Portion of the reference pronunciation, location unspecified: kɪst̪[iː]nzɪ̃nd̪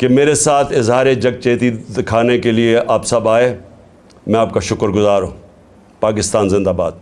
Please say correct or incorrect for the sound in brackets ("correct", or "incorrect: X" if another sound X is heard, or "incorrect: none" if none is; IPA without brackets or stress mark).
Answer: incorrect: aː